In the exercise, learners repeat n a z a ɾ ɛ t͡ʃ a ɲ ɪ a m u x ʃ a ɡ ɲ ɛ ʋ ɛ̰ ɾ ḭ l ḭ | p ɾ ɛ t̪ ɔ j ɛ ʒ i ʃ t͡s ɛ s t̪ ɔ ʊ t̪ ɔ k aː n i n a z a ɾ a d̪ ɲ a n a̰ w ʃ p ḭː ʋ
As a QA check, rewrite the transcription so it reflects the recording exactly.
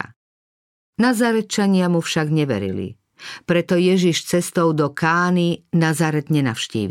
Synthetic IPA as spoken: n a z a ɾ ɛ t͡ʃ a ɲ ɪ a m u f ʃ a ɡ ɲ ɛ ʋ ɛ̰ ɾ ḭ l ḭ | p ɾ ɛ t̪ ɔ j ɛ ʒ i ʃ t͡s ɛ s t̪ ɔ ʊ d̪ ɔ k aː n i n a z a ɾ ɛ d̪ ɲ ɛ n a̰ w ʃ c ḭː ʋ